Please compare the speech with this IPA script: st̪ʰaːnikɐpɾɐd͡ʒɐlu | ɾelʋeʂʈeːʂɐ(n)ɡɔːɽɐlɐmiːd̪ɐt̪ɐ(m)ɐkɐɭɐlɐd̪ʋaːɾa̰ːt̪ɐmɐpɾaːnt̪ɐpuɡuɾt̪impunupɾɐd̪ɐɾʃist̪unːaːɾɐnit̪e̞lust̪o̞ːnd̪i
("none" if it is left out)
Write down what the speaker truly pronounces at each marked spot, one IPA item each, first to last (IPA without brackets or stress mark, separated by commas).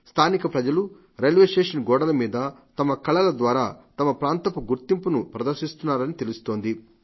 n, m